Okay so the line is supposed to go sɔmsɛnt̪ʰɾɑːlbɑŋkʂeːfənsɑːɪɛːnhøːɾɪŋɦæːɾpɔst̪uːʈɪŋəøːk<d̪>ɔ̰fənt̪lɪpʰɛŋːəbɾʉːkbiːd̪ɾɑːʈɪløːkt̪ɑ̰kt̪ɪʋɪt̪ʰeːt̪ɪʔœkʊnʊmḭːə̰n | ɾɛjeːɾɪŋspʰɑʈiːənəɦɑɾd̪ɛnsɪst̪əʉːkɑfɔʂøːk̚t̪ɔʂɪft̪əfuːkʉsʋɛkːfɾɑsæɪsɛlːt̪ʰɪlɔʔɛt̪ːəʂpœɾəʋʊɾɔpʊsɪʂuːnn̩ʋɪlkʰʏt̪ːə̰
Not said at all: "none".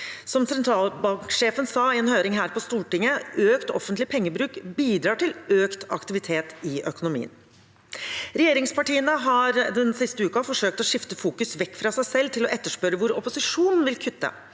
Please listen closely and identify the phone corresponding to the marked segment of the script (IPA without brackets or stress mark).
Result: t̪